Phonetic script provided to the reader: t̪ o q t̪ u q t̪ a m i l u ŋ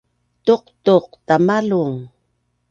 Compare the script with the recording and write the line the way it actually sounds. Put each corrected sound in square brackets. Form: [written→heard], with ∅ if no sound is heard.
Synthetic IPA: t̪ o q t̪ [u→o] q t̪ a m [i→a] l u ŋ

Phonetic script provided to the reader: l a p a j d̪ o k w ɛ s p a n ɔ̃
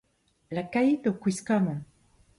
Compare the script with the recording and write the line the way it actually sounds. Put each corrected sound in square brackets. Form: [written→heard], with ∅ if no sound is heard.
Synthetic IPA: l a [p→k] a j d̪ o k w [ɛ→i] s [p→k] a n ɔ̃

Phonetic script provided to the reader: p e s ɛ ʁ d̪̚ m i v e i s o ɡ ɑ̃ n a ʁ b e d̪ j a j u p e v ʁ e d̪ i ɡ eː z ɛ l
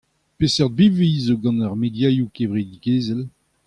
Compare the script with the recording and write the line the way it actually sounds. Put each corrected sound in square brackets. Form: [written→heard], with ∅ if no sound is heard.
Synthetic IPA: p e s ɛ ʁ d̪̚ [m→b] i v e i [s→z] o ɡ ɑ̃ n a ʁ [b→m] e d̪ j a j u [p→k] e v ʁ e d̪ i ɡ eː z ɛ l

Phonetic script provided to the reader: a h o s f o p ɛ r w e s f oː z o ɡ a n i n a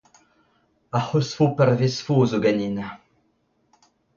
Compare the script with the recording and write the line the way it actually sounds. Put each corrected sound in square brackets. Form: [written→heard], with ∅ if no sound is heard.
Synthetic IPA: a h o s f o p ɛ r [w→v] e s f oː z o ɡ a n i n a

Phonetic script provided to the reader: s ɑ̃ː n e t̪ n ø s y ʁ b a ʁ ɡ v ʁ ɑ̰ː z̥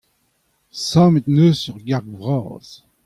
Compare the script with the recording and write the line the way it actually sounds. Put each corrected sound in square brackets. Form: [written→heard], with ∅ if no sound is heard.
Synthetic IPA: s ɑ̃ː [n→m] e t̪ n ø s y ʁ [b→ɡ] a ʁ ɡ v ʁ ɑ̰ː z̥

